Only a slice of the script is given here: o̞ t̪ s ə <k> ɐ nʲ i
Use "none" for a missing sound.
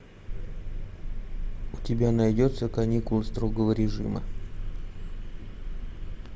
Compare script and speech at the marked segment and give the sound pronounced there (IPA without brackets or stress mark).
k